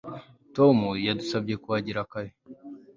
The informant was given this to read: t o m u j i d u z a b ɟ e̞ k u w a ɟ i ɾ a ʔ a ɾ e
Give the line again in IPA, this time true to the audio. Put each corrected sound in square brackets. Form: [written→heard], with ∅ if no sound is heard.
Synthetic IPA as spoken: t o m u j [i→a] d u [z→s] a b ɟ e̞ k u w a ɟ i ɾ a [ʔ→k] a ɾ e